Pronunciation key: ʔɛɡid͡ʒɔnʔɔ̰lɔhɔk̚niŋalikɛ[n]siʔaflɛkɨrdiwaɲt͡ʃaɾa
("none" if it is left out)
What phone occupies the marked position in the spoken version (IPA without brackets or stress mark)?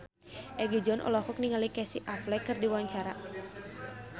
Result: none